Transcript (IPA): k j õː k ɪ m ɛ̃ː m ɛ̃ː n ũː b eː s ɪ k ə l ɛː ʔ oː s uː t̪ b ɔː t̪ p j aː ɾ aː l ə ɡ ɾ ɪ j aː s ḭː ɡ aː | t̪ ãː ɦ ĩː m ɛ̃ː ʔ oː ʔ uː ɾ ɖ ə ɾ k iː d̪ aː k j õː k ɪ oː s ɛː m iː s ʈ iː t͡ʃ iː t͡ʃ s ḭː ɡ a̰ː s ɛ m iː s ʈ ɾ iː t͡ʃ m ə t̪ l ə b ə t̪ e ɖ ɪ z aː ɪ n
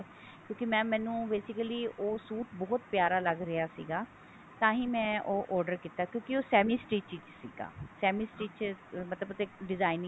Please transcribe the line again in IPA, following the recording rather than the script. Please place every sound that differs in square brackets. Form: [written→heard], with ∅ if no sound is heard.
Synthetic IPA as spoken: k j õː k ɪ m ɛ̃ː m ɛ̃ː n ũː b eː s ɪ k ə l [ɛː→iː] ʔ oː s uː t̪ b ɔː t̪ p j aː ɾ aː l ə ɡ ɾ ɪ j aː s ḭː ɡ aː | t̪ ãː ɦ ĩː m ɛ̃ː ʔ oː ʔ [uː→ɔː] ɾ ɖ ə ɾ k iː [d̪→t̪] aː k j õː k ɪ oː s ɛː m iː s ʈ iː t͡ʃ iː t͡ʃ s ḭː ɡ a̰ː s [ɛ→ɛː] m iː s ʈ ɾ iː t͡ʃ m ə t̪ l ə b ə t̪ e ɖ ɪ z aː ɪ n